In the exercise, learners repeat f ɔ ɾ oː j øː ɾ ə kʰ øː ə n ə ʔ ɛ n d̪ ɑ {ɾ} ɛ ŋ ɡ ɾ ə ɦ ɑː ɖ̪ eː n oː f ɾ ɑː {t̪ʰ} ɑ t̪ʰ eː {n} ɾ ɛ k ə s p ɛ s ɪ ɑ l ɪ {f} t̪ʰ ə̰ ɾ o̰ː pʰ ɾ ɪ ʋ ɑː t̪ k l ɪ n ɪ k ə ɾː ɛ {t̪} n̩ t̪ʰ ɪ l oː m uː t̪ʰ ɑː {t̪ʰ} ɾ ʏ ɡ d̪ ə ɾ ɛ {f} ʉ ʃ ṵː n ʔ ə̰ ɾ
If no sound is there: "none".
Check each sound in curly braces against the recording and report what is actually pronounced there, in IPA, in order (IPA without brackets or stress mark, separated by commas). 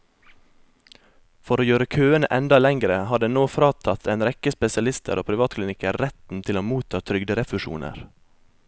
l, t̪ʰ, n, s, t̪, t̪ʰ, f